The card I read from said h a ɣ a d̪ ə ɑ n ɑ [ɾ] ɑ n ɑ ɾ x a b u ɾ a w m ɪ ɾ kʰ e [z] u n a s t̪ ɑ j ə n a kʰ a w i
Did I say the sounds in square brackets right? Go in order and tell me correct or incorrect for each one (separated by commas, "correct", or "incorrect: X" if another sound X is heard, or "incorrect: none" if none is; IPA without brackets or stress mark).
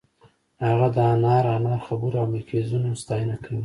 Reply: correct, correct